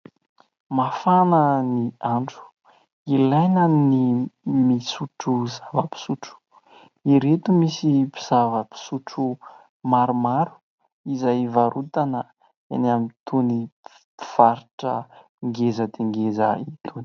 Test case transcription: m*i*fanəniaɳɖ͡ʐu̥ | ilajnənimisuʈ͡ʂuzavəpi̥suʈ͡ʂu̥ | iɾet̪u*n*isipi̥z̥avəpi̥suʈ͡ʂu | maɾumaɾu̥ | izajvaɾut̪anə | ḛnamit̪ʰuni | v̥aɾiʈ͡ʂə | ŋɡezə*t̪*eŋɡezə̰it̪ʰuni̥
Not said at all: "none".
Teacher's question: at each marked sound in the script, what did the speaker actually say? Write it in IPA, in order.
a, m, d̪

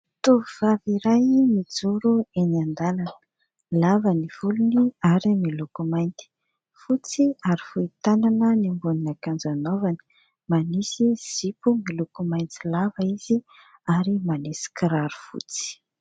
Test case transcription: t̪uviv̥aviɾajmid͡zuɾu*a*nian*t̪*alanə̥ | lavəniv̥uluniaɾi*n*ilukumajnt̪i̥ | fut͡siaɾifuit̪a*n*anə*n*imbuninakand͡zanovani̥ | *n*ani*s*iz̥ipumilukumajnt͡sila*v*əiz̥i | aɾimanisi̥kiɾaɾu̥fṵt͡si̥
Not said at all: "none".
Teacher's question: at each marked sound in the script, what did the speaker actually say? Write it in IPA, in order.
e, d̪, m, n, n, m, s, v

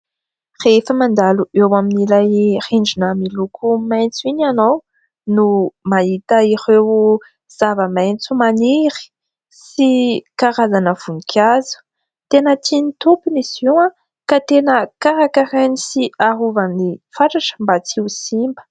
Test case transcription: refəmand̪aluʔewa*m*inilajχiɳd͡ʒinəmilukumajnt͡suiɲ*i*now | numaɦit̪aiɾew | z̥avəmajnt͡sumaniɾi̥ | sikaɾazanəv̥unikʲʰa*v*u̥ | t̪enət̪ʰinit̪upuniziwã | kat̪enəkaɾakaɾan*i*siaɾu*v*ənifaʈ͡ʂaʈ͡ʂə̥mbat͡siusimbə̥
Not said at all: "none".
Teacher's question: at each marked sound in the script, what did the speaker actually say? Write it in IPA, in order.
m, a, z, i, v

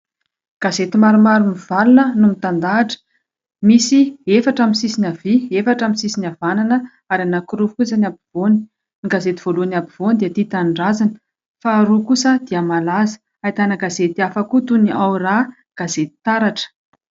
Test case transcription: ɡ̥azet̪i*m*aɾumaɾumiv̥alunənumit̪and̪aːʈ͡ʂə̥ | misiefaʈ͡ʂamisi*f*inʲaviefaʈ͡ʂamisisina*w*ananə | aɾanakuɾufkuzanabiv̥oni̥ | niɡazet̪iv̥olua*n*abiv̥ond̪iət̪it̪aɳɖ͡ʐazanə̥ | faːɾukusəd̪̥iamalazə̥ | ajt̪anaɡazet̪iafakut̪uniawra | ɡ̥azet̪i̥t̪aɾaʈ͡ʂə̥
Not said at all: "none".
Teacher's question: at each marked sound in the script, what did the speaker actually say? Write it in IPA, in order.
m, s, v, n

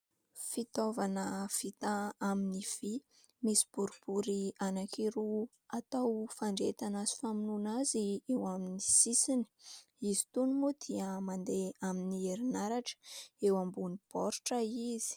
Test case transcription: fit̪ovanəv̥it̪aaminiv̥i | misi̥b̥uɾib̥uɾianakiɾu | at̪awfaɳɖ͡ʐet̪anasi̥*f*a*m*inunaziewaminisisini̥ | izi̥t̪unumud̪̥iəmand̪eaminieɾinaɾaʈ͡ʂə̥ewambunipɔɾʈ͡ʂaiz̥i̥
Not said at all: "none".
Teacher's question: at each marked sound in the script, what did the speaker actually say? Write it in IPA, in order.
f, m

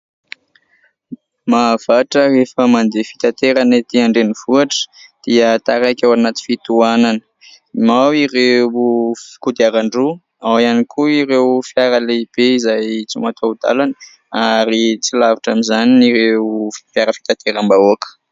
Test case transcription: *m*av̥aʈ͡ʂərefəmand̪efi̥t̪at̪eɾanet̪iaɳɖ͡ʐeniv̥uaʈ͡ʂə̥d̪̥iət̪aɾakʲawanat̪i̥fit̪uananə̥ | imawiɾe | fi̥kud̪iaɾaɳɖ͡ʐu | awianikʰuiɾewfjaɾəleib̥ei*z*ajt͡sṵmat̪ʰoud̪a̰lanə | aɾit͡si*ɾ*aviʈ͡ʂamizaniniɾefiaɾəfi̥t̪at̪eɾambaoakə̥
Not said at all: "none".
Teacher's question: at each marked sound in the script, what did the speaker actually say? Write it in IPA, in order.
m, z, l

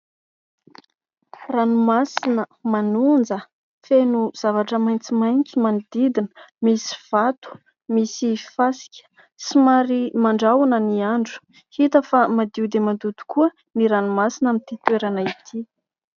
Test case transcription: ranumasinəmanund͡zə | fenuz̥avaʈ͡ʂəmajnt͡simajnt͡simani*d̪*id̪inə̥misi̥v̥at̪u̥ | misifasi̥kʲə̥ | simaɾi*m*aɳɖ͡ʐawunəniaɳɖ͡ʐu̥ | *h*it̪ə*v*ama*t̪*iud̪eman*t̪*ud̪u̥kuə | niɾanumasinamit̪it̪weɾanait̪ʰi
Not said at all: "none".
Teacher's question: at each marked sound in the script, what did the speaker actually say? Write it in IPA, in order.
d̪, m, h, f, d̪, d̪

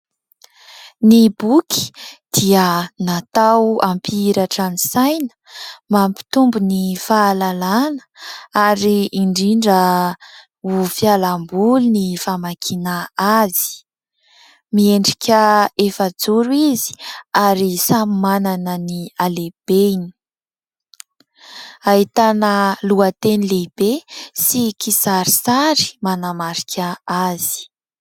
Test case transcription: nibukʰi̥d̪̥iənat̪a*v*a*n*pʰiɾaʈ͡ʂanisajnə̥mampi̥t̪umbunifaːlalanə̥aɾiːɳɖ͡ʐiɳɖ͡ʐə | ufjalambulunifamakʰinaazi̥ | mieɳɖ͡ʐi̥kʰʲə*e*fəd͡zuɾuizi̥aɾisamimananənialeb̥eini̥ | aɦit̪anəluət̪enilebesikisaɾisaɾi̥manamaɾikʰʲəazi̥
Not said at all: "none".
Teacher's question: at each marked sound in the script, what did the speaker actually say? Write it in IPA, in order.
w, m, e

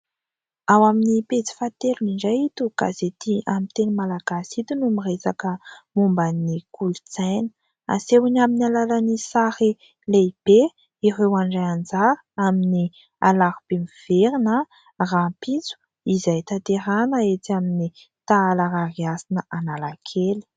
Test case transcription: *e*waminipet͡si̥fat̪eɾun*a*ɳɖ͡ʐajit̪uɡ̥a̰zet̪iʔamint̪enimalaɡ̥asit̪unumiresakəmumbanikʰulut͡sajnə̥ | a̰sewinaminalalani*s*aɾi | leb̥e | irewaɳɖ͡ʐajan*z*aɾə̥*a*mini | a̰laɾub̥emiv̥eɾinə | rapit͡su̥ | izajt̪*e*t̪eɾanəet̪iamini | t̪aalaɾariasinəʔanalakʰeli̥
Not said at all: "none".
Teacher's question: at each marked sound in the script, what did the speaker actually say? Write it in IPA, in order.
a, i, s, d͡z, a, a

